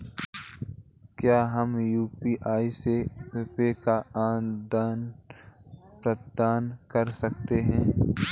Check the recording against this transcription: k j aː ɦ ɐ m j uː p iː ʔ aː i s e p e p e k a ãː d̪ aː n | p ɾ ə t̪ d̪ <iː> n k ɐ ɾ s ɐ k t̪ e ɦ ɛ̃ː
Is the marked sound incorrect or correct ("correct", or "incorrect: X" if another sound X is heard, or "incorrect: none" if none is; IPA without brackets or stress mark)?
incorrect: aː